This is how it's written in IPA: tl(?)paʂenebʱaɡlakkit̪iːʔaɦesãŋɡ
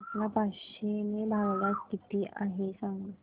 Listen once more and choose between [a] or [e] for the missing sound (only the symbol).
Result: a